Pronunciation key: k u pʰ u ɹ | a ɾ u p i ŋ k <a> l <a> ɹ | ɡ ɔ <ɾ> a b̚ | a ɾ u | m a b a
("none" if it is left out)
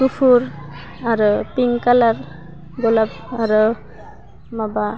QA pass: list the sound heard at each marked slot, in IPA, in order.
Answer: a, a, l

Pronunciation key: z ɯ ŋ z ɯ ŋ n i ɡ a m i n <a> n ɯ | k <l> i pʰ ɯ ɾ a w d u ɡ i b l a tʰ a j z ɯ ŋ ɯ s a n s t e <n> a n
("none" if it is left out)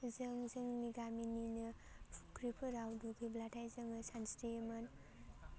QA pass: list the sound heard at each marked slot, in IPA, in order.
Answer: i, ɾ, m

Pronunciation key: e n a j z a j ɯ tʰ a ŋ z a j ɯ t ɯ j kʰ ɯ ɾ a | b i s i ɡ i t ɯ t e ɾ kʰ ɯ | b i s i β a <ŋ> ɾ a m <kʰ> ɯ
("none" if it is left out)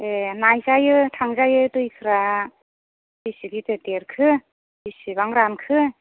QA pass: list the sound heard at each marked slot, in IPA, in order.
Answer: ŋ, kʰ

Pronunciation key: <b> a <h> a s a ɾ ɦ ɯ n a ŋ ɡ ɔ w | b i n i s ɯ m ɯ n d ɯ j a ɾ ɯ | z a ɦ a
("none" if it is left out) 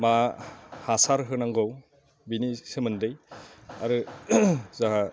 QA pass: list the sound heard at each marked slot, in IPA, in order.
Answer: m, h

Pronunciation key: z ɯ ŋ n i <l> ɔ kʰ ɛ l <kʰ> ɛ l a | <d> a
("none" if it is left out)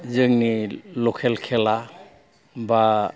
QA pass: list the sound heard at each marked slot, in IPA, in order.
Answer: l, kʰ, b

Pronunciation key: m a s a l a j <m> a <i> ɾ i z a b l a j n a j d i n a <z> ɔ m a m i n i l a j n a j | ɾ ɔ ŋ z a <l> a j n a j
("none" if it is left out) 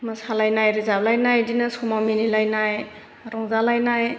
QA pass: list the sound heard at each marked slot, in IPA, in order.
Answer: n, j, s, l

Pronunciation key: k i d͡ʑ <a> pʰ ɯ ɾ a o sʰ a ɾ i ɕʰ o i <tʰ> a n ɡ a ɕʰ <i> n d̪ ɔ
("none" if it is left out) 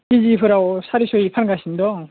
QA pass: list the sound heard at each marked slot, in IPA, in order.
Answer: i, pʰ, i

